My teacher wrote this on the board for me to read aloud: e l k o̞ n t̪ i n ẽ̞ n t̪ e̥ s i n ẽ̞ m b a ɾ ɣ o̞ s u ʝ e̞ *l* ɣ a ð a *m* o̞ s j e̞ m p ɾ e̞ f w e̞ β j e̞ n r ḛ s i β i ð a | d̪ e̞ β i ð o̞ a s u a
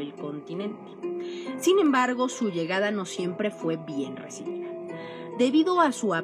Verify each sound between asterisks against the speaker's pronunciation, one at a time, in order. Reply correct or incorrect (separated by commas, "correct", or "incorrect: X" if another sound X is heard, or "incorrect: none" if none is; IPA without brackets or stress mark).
incorrect: none, incorrect: n